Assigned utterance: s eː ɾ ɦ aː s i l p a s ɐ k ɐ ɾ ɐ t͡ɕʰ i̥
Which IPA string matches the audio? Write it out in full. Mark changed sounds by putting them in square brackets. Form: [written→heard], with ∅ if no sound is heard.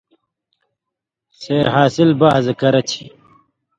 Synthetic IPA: s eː ɾ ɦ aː s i l [p→b] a [s→z] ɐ k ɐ ɾ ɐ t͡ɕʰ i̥